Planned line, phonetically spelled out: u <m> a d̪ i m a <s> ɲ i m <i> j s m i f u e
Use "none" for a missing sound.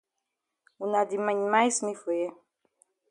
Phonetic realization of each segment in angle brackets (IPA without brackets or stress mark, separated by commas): n, none, a